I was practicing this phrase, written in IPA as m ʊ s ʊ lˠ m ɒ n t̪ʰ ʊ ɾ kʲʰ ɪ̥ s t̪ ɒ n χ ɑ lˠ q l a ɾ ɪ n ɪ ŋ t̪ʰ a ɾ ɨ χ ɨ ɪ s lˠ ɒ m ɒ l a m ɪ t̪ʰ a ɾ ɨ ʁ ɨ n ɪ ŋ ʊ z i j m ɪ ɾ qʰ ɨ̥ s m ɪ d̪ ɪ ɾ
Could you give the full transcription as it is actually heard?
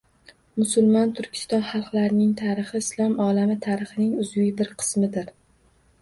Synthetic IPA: m ʊ s ʊ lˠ m ɒ n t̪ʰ ʊ ɾ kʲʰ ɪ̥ s t̪ ɒ n χ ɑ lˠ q l a ɾ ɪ n ɪ ŋ t̪ʰ a ɾ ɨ χ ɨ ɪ s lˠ ɒ m ɒ l a m ɪ t̪ʰ a ɾ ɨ χ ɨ n ɪ ŋ ʊ z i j b ɪ ɾ qʰ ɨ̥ s m ɪ d̪ ɪ ɾ